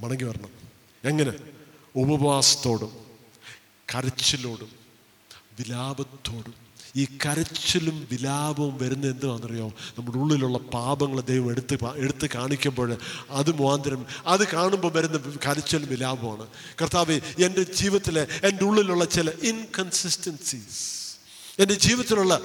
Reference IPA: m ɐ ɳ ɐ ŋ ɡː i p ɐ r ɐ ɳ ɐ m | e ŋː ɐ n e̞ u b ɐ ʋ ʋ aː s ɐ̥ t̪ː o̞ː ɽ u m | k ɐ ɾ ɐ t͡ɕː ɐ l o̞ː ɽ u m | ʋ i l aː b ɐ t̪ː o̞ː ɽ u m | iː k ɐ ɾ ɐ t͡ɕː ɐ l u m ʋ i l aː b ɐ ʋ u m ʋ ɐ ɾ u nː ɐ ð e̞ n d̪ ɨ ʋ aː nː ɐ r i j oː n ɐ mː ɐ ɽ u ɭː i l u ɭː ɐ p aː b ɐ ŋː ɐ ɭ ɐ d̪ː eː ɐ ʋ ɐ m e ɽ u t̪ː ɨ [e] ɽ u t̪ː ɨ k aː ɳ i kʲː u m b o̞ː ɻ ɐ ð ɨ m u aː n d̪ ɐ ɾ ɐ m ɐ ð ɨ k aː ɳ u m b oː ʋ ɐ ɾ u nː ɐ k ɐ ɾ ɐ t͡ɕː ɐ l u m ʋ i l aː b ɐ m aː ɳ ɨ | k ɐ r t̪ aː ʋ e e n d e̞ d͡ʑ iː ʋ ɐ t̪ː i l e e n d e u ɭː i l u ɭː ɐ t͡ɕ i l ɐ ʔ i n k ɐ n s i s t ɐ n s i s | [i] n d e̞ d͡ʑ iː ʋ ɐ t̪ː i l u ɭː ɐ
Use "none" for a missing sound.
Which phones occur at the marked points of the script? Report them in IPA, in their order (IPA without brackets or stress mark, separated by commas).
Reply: e, e